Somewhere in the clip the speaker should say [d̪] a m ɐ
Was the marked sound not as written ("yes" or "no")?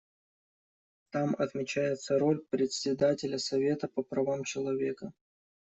yes